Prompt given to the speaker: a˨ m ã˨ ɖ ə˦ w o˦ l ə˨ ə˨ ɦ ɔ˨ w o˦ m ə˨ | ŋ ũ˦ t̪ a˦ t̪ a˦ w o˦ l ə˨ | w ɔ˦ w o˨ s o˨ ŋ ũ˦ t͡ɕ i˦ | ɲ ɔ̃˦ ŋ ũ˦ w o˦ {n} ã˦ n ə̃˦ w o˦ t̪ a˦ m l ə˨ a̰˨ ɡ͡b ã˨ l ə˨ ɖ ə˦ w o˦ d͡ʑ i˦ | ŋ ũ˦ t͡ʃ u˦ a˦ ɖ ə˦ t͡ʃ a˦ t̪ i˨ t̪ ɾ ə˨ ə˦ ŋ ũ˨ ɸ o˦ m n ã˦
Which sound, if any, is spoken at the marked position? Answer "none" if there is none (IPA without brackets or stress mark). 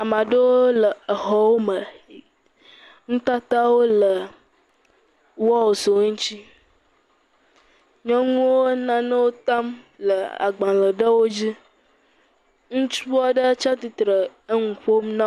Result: n